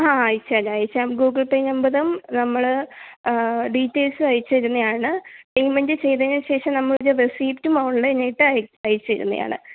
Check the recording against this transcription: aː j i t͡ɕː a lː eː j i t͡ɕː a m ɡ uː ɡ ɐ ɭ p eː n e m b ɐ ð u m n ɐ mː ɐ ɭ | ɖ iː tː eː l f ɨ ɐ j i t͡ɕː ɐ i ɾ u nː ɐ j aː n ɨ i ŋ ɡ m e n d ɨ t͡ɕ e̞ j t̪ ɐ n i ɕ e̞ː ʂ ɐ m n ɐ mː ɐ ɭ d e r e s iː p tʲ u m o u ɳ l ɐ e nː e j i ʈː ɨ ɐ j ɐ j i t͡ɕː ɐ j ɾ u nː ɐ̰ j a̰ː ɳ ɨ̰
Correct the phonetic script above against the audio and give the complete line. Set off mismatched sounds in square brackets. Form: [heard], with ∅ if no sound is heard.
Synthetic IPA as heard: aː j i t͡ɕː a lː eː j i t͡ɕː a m ɡ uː ɡ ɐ ɭ p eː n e m b ɐ ð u m n ɐ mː ɐ ɭ | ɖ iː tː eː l [s] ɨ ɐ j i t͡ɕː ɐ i ɾ u nː ɐ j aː [ɳ] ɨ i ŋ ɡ m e n d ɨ t͡ɕ e̞ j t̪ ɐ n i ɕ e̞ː ʂ ɐ m n ɐ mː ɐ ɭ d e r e s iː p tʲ u m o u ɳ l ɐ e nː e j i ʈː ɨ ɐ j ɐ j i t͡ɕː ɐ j ɾ u nː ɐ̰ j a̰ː ɳ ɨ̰

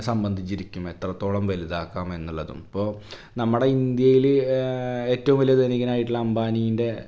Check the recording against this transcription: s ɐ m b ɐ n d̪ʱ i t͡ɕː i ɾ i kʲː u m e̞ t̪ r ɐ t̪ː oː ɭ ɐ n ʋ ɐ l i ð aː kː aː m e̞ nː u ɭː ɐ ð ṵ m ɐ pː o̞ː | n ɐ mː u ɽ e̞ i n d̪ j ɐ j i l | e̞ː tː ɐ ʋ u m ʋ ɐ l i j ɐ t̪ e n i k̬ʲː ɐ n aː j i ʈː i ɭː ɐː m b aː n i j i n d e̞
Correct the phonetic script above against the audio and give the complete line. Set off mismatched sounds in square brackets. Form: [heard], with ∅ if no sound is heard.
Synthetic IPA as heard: s ɐ m b ɐ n d̪ʱ i t͡ɕː i ɾ i kʲː u m e̞ t̪ r ɐ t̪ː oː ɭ ɐ [m] ʋ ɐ l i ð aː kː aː m e̞ nː u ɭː ɐ ð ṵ m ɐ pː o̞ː | n ɐ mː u ɽ e̞ i n d̪ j ɐ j i l | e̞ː tː ɐ ʋ u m ʋ ɐ l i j ɐ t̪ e n i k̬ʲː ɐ n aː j i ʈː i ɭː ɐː m b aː n i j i n d e̞

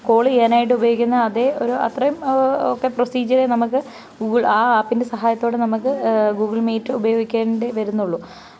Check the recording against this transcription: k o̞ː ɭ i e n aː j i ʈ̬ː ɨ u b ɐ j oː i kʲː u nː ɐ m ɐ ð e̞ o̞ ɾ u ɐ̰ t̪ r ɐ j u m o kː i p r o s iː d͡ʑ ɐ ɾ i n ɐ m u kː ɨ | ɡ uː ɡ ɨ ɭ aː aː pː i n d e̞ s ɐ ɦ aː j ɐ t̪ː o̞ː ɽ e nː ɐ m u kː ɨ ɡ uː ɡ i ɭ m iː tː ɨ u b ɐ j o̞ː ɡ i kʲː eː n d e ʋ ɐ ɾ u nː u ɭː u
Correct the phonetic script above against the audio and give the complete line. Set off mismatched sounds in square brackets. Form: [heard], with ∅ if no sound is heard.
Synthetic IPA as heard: k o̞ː ɭ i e n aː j i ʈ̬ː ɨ u b ɐ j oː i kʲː u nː ɐ [∅] ɐ ð e̞ o̞ ɾ u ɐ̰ t̪ r ɐ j u m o kː [e] p r o s iː d͡ʑ ɐ ɾ [e] n ɐ m u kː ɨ | ɡ uː ɡ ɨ ɭ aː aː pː i n d e̞ s ɐ ɦ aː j ɐ t̪ː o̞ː ɽ e [n] ɐ m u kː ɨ ɡ uː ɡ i ɭ m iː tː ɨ u b ɐ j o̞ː ɡ i kʲː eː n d e ʋ ɐ ɾ u nː u ɭː u

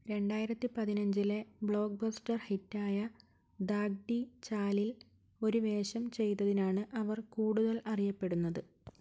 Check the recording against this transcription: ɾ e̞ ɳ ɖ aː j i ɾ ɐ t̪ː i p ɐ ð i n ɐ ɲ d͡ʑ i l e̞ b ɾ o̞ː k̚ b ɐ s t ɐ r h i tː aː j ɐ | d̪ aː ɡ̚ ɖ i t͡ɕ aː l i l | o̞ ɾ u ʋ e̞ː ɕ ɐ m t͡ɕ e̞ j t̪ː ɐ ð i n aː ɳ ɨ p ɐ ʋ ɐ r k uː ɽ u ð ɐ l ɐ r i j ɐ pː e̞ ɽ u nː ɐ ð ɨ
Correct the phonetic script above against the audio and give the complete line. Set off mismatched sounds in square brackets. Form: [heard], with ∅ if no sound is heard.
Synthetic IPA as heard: ɾ e̞ ɳ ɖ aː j i ɾ ɐ t̪ː i p ɐ ð i n ɐ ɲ d͡ʑ i l e̞ b [ɭ] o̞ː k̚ b ɐ s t ɐ r h i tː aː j ɐ | d̪ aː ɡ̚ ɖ i t͡ɕ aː l i l | o̞ ɾ u ʋ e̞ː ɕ ɐ m t͡ɕ e̞ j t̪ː ɐ ð i n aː ɳ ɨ [ʔ] ɐ ʋ ɐ r k uː ɽ u ð ɐ l ɐ r i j ɐ pː e̞ ɽ u nː ɐ ð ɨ

